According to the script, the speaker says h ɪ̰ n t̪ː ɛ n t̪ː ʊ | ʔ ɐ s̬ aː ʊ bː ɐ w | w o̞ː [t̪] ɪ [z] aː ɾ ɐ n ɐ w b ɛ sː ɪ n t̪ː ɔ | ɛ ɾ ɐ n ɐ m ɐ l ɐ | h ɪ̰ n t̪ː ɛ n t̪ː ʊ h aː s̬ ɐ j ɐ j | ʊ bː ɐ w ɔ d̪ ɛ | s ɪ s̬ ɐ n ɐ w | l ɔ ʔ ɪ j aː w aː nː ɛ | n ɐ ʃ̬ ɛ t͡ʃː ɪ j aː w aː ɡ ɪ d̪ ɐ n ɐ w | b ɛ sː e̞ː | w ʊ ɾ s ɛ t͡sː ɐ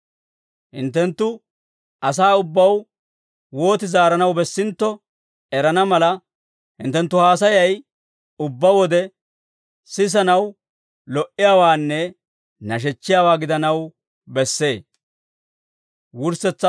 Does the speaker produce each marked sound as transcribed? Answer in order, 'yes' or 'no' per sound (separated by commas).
yes, yes